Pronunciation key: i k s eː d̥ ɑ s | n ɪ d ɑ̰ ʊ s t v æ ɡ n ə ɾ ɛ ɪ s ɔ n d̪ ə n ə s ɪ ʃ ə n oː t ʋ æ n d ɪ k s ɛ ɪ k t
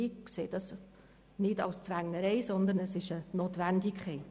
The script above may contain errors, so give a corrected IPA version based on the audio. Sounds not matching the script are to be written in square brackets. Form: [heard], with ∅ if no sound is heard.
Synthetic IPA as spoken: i k s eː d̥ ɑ s | n ɪ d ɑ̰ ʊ s [t͡s] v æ [ŋ] n ə ɾ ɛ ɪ s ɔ n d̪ ə n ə s ɪ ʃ ə n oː t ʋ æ n d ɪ k [χ] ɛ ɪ [∅] t